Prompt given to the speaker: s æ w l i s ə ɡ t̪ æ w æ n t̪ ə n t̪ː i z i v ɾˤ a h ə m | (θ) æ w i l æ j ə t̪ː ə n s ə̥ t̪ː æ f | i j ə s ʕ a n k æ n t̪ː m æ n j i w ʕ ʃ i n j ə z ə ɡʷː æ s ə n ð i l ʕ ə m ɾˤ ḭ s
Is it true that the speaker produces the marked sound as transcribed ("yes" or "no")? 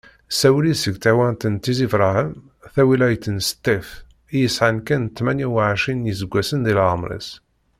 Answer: yes